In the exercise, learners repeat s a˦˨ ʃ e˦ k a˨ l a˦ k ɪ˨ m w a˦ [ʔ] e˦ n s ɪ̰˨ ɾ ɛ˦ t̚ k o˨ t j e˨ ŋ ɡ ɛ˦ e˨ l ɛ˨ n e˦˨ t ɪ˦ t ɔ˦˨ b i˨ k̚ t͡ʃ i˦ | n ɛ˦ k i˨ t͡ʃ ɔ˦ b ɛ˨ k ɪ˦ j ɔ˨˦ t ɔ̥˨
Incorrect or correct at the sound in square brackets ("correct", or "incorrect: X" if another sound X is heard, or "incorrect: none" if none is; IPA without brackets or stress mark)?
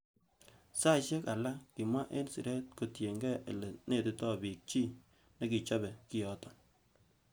correct